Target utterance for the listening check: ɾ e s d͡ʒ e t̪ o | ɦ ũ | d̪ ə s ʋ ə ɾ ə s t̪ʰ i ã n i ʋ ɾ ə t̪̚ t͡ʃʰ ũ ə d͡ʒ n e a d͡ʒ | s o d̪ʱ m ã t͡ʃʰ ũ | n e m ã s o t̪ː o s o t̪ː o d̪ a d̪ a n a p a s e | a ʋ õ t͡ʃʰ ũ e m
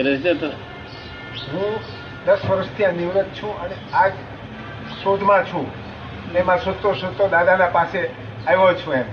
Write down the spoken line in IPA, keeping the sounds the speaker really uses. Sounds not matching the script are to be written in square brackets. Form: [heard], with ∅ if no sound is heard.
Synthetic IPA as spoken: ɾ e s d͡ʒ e t̪ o | ɦ ũ | d̪ ə s ʋ ə ɾ ə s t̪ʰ i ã n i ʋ ɾ ə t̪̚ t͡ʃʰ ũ ə [∅] n e a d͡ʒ | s o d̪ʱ m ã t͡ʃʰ ũ | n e m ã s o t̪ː o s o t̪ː o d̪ a d̪ a n a p a s e | a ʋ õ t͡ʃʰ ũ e m